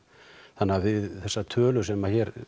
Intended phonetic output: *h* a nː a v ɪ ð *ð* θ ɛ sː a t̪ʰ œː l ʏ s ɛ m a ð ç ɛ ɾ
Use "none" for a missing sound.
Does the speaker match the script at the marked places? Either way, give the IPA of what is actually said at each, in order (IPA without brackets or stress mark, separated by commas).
θ, ð